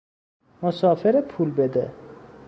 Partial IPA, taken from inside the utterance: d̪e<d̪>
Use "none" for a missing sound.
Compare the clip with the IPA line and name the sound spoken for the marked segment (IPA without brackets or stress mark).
none